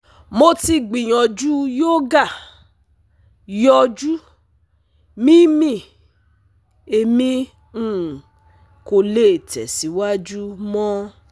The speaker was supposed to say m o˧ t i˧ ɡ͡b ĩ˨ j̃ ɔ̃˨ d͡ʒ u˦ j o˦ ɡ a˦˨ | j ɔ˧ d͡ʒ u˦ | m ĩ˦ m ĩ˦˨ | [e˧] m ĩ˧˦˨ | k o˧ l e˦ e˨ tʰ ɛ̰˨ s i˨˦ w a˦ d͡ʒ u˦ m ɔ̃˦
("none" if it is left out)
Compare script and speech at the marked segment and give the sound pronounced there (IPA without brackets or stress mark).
e˧